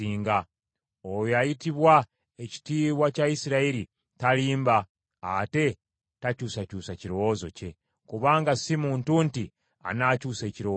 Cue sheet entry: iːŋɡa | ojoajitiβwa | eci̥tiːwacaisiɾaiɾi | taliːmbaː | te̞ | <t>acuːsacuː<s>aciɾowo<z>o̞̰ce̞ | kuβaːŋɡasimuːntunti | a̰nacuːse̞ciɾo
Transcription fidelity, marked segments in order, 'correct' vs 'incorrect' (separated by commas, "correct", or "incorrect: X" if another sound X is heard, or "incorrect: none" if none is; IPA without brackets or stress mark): correct, correct, correct